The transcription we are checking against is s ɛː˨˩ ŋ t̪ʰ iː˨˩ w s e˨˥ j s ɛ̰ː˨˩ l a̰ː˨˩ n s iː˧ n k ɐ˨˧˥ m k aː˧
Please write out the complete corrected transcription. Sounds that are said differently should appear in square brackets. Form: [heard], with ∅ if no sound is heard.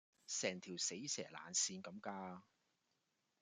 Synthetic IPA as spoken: s ɛː˨˩ ŋ t̪ʰ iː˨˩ w s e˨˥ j s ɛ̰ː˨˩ l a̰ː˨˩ n s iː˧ n k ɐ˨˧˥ m k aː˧